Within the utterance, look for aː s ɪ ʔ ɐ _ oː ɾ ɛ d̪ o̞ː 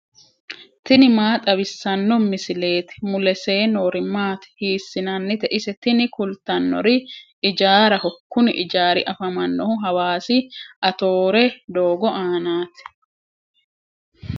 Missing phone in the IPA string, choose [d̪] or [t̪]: t̪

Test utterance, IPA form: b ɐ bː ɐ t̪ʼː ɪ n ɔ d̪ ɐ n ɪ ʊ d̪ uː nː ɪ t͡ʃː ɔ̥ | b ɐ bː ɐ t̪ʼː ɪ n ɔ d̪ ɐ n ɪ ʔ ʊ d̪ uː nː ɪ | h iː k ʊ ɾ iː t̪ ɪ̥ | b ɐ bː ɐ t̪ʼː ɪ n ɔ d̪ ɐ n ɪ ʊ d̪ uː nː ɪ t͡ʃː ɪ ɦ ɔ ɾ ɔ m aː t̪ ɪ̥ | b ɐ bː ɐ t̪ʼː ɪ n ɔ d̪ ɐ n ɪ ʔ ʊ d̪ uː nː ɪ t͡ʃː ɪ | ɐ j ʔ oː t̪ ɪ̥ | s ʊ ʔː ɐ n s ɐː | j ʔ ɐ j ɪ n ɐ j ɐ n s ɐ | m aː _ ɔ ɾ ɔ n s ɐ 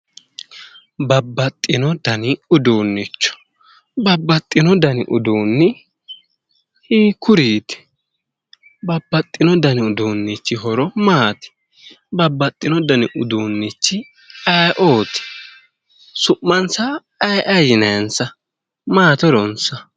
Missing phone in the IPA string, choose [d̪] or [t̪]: t̪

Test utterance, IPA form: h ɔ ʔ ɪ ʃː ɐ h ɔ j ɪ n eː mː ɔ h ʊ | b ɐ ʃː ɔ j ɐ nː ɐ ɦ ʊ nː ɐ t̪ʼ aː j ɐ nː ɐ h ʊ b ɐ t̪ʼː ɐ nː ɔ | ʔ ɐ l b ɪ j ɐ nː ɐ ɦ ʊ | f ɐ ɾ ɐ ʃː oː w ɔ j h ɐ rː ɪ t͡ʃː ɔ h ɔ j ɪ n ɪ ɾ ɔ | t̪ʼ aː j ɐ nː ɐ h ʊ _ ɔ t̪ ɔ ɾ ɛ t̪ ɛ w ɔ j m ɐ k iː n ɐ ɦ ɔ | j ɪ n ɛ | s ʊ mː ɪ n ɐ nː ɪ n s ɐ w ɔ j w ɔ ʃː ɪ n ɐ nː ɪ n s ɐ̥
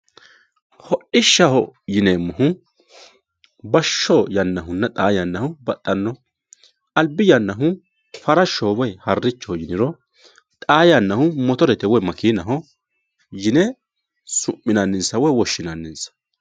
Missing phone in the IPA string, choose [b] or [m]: m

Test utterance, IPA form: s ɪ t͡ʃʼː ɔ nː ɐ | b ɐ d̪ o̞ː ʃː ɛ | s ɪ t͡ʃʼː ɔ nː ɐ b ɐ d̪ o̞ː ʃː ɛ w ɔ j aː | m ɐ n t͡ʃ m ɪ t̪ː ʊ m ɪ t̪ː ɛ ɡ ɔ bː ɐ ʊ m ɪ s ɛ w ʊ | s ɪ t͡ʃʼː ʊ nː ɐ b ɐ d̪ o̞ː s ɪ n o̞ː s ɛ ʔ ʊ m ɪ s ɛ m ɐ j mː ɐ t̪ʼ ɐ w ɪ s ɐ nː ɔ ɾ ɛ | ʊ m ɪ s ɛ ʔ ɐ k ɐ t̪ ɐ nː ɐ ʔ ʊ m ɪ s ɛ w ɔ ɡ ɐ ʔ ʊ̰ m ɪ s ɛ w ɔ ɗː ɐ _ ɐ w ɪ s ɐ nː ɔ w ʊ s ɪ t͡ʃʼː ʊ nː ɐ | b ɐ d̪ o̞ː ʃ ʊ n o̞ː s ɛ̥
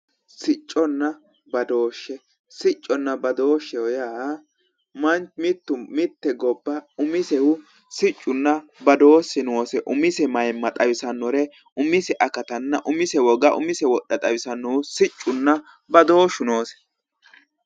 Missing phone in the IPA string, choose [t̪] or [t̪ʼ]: t̪ʼ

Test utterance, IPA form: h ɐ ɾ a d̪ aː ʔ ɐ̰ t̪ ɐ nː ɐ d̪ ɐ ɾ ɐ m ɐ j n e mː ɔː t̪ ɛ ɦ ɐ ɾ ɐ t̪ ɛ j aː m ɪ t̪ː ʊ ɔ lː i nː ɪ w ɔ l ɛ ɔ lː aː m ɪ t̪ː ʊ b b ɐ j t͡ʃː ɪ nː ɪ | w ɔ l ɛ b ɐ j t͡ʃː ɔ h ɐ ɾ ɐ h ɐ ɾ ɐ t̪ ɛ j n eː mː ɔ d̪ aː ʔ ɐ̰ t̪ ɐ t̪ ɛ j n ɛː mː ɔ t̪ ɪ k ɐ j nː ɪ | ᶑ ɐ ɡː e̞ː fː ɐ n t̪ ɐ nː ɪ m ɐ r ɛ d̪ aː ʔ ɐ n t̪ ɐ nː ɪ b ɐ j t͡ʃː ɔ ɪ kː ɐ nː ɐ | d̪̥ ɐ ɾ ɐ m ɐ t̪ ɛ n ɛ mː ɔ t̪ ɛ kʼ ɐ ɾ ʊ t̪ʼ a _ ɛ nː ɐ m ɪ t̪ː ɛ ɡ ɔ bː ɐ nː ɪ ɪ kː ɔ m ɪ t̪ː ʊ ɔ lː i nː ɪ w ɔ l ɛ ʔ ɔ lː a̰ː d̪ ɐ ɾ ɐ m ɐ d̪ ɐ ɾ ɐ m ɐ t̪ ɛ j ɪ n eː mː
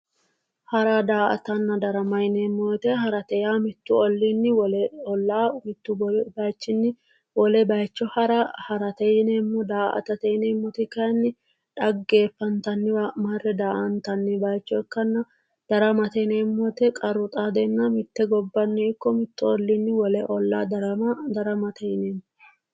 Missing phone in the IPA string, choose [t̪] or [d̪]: d̪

